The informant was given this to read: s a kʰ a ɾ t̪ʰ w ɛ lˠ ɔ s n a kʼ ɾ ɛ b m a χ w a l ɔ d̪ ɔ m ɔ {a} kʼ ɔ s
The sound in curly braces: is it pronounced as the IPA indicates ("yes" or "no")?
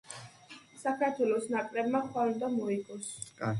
no